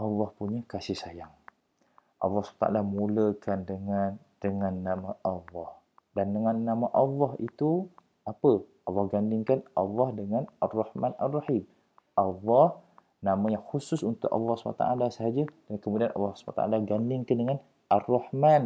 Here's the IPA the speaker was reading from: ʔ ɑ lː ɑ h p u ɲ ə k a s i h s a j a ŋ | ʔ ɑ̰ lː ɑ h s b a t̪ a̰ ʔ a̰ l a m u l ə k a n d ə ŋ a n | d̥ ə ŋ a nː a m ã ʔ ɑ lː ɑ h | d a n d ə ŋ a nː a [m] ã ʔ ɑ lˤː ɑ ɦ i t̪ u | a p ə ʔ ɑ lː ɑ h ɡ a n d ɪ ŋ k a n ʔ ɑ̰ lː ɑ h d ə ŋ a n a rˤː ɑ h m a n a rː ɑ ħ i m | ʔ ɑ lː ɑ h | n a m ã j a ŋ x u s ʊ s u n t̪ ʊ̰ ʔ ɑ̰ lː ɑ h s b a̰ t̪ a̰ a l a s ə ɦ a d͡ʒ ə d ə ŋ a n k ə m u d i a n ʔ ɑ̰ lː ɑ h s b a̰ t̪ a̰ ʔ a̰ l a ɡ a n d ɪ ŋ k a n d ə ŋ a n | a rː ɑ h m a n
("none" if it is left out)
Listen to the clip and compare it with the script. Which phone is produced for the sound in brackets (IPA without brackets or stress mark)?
m